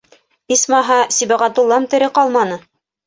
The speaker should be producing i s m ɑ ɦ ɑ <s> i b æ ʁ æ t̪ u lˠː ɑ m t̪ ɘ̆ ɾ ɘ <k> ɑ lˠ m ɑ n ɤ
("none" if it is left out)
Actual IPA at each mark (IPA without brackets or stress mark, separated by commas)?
s, q